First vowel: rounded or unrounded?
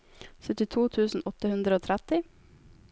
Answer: rounded